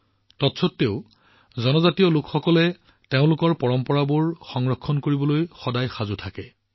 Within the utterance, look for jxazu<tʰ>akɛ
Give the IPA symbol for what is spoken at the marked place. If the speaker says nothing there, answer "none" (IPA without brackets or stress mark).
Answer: tʰ